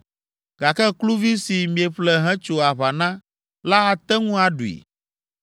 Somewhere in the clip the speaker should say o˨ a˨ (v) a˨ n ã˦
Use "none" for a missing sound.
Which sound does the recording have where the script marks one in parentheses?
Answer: β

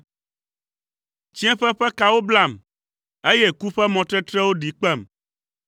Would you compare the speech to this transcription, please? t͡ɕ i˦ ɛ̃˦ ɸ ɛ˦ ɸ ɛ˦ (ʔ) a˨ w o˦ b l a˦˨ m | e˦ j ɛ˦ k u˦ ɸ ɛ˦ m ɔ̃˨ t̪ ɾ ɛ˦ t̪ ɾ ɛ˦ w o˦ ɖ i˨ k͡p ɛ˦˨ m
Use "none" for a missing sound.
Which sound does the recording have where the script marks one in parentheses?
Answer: k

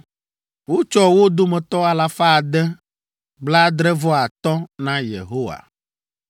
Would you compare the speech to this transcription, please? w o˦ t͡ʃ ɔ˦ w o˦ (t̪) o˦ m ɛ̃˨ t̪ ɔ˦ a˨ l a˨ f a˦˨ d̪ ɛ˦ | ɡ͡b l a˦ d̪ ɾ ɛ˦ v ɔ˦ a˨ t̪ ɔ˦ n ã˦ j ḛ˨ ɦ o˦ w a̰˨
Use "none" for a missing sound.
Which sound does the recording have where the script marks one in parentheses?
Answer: d̪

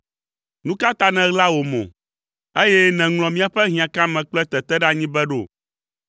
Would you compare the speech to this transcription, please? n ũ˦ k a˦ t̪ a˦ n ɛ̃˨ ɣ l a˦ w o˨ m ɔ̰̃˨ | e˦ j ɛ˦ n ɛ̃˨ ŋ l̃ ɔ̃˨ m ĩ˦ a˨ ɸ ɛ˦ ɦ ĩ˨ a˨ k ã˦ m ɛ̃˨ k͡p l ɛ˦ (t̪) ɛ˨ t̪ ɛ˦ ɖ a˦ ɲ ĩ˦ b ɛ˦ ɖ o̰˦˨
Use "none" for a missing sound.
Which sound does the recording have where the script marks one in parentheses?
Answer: t̪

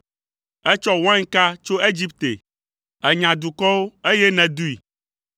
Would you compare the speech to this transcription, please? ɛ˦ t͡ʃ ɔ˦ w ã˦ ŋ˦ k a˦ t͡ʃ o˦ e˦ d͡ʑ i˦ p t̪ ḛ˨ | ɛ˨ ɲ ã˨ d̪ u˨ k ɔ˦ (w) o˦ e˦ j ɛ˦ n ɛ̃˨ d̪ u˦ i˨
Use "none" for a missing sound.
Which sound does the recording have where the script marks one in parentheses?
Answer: w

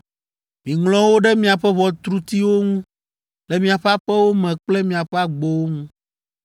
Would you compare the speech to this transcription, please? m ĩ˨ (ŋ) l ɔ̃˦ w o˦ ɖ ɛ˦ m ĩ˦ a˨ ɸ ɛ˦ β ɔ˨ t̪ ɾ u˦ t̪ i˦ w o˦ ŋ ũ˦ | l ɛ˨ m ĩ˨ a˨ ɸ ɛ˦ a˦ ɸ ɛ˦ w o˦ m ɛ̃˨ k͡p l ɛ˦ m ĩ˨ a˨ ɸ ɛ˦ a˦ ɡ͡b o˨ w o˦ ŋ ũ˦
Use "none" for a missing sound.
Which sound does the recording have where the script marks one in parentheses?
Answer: ŋ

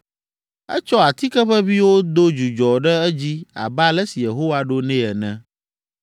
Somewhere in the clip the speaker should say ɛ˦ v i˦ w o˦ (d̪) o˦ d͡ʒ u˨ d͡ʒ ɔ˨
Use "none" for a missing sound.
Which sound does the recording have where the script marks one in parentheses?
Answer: d̪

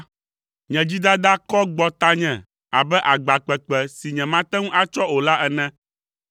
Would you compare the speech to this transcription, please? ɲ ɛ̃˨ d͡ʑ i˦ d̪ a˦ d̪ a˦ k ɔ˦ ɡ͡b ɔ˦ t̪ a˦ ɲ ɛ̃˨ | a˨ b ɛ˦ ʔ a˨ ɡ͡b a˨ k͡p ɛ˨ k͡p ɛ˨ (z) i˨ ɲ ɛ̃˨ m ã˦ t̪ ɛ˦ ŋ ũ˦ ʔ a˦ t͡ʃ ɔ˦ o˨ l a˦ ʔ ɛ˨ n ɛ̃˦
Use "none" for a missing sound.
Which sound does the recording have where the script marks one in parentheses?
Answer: s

